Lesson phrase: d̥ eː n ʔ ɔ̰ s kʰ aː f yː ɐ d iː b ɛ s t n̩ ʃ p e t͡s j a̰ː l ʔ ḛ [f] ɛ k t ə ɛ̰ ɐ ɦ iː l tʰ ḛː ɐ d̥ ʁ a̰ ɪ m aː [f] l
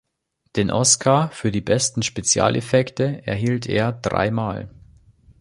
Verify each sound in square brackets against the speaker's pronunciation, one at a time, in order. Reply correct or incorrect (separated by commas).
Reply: correct, incorrect